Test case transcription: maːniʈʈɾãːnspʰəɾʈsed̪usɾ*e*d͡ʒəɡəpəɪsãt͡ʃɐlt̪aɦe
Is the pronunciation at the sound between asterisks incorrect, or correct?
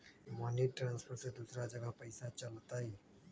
incorrect: a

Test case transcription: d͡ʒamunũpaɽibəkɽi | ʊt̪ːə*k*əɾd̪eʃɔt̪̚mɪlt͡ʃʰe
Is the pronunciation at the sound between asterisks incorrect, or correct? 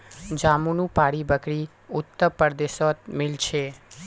incorrect: p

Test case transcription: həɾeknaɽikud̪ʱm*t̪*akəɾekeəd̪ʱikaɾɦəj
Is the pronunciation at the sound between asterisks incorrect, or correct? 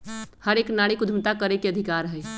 correct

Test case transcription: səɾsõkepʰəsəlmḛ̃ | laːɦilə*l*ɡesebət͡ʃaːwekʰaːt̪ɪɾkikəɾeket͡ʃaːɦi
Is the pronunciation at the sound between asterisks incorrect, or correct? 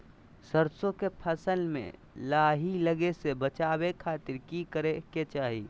incorrect: none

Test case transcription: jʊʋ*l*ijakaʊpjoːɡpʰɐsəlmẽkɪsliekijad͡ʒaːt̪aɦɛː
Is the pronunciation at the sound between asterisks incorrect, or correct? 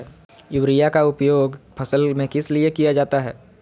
incorrect: ɾ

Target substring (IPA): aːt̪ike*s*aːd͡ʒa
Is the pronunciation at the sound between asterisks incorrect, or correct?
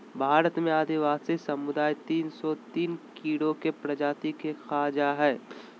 incorrect: x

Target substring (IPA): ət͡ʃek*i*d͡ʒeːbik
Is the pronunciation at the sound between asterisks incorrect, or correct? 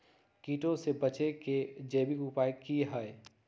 incorrect: e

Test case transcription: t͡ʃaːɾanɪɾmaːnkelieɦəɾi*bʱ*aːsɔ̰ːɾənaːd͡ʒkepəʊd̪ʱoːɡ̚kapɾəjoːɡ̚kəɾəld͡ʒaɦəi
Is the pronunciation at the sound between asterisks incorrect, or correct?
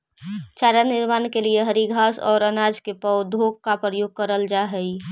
incorrect: ɡʱ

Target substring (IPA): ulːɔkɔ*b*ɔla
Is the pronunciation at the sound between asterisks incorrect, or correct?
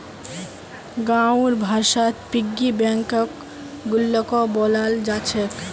correct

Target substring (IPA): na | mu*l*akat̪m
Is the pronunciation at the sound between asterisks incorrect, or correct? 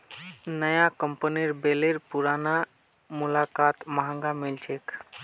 correct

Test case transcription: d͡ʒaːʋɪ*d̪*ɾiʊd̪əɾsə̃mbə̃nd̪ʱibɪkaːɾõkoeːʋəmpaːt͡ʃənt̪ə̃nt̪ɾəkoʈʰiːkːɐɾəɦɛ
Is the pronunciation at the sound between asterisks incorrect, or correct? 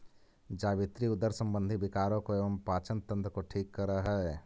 incorrect: t̪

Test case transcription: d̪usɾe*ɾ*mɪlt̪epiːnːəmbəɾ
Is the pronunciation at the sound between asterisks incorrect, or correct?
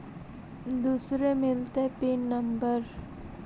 incorrect: none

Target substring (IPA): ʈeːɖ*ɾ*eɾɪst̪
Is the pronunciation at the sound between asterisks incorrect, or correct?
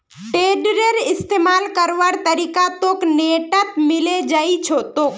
correct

